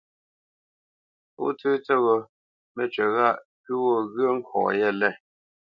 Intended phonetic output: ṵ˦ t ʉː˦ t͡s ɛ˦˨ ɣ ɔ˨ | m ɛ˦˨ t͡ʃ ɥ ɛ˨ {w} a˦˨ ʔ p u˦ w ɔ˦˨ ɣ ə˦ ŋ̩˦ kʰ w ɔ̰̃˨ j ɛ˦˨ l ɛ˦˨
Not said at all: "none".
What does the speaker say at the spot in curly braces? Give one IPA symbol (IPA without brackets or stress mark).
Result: ɣ